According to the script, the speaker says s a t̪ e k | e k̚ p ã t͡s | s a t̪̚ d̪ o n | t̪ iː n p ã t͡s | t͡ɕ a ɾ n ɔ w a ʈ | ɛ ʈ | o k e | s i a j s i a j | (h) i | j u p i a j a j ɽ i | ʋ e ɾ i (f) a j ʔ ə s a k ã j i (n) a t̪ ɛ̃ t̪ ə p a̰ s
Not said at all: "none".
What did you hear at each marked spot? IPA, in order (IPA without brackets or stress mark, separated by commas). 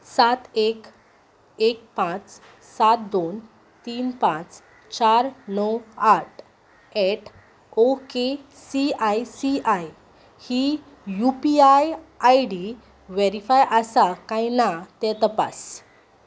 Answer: h, f, n